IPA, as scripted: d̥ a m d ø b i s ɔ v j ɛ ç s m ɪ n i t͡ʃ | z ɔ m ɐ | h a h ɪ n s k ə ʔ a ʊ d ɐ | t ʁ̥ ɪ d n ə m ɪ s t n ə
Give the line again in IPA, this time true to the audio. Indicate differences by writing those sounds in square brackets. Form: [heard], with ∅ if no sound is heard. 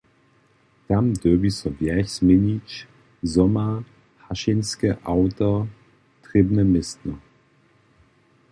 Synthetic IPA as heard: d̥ a m d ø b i s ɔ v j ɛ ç s m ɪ n i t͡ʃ | z ɔ m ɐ | h a [ʃ] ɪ n s k ə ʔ a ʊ [t] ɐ | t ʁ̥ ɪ [b] n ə m ɪ s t n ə